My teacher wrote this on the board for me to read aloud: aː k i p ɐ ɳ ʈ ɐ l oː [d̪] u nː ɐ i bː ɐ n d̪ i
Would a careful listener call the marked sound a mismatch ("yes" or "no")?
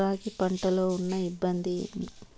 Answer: yes